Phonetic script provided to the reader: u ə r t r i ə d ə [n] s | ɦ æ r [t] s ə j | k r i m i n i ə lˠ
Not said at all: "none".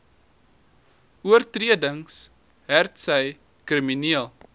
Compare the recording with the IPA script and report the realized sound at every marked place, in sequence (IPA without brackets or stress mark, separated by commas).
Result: ŋ, t